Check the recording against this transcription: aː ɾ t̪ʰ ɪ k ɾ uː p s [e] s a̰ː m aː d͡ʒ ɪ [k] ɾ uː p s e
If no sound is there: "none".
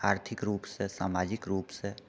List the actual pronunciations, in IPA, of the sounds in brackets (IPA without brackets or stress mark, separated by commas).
e, k